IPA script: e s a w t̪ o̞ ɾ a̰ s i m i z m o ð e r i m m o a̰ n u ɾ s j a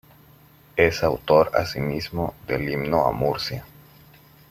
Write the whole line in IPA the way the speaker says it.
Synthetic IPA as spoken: e s a w t̪ o̞ ɾ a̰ s i m i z m o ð e l i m n o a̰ m u ɾ s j a